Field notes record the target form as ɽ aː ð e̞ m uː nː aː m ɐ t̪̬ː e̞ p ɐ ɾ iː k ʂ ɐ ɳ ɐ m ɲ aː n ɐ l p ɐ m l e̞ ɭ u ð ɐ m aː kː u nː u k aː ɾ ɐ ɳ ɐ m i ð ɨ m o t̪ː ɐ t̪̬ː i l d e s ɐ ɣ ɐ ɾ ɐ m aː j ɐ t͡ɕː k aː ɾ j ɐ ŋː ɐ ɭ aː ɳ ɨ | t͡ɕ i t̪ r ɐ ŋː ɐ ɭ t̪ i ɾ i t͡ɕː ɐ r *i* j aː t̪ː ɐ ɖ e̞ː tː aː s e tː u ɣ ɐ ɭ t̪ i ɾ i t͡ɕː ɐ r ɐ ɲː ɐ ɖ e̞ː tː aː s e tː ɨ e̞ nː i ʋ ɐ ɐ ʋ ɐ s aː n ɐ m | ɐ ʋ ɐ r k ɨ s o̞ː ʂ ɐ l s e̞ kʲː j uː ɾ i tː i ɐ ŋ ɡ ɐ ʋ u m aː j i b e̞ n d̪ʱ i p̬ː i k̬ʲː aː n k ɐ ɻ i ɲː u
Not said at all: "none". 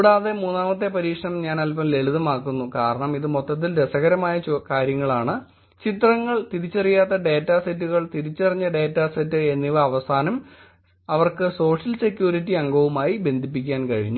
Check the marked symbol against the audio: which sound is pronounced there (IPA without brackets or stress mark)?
i